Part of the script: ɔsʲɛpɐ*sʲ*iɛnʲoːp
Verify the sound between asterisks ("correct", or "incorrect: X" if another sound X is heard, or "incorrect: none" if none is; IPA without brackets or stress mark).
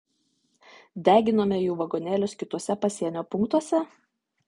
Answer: correct